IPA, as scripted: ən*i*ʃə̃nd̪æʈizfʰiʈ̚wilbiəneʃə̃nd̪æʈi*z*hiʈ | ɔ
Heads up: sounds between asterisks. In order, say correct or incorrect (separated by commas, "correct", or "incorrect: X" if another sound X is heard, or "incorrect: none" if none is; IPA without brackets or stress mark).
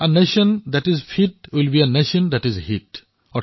incorrect: e, correct